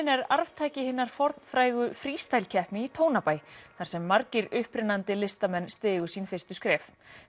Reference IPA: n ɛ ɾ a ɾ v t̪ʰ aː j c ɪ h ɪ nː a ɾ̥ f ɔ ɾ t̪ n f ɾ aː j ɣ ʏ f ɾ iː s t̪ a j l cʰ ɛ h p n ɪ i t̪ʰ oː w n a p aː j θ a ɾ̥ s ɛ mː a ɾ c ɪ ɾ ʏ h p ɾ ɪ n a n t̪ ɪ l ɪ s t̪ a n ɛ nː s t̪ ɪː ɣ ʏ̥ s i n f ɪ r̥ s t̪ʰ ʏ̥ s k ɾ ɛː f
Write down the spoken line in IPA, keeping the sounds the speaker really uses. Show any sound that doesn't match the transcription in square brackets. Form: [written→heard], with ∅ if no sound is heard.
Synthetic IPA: n ɛ ɾ a ɾ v t̪ʰ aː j c ɪ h ɪ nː a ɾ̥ f ɔ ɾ t̪ n f ɾ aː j ɣ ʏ f ɾ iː s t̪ a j l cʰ ɛ h p n ɪ i t̪ʰ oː w n a p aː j θ a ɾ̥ s ɛ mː a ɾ c ɪ ɾ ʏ h p ɾ ɪ n a n t̪ ɪ l ɪ s t̪ a [n→m] ɛ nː s t̪ ɪː ɣ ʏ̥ s i n f ɪ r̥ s [t̪ʰ→t̪] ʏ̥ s k ɾ ɛː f